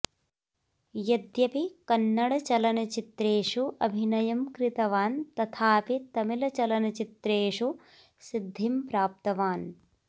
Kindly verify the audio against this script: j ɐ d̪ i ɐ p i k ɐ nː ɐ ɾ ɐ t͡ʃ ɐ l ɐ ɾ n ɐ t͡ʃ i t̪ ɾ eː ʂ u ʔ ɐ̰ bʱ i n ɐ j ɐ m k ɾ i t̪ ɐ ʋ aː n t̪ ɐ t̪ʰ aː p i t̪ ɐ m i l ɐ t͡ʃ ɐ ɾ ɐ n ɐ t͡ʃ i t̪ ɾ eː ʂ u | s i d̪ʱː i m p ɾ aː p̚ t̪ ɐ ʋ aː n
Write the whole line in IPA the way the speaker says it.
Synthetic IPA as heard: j ɐ d̪ j ɐ p i k ɐ nː ɐ ɽ ɐ t͡ʃ ɐ l ɐ n ɐ t͡ʃ i t̪ ɾ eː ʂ u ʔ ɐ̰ bʱ i n ɐ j ɐ m k ɾ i t̪ ɐ ʋ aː n t̪ ɐ t̪ʰ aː p i t̪ ɐ m i l ɐ t͡ʃ ɐ l ɐ n ɐ t͡ʃ i t̪ ɾ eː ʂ u | s i d̪ʱː i m p ɾ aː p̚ t̪ ɐ ʋ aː n